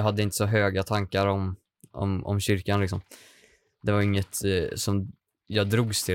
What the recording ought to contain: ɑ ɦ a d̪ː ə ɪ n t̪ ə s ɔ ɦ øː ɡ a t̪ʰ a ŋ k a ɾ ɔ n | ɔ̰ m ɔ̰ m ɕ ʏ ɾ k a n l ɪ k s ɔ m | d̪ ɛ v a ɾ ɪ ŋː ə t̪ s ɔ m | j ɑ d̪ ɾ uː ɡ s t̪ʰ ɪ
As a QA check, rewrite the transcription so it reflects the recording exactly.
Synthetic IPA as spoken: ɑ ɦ a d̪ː ə ɪ n t̪ ə s ɔ ɦ øː ɡ a t̪ʰ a ŋ k a ɾ ɔ m | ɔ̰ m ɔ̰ m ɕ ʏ ɾ k a n l ɪ k s ɔ m | d̪ ɛ v a ɾ ɪ ŋː ə t̪ s ɔ m | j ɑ d̪ ɾ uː ɡ s t̪ʰ ɪ